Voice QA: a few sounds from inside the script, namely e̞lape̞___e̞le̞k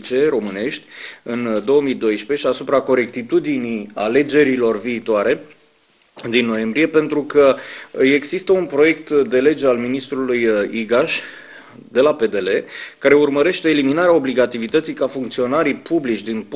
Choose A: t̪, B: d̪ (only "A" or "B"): B